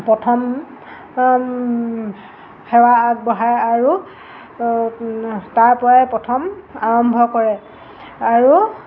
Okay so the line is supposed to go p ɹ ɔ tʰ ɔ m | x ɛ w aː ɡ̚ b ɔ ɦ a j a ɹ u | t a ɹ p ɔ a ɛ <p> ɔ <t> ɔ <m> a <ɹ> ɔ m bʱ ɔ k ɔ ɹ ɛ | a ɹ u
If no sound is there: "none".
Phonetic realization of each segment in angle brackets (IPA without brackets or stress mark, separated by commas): p, tʰ, m, ɹ